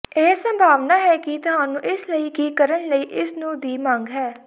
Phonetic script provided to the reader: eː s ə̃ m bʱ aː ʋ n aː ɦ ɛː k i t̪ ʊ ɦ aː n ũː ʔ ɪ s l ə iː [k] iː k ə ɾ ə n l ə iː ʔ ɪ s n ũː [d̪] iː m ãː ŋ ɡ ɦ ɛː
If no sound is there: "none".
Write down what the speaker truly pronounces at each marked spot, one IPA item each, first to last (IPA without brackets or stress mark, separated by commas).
k, d̪